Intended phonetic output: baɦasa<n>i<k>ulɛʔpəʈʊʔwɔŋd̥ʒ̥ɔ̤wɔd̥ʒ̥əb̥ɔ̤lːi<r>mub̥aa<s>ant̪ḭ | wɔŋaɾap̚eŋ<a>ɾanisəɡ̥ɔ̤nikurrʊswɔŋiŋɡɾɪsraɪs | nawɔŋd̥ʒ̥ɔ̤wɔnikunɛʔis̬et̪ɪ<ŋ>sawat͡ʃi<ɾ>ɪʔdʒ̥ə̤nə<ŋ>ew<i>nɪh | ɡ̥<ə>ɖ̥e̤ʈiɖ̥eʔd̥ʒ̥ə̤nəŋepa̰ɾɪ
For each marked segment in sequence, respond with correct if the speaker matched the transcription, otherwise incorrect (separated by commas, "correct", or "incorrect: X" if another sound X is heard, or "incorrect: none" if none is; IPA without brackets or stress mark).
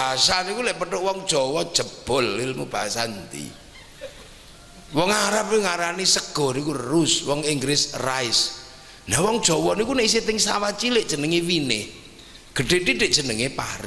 correct, correct, incorrect: l, correct, correct, correct, incorrect: l, correct, correct, correct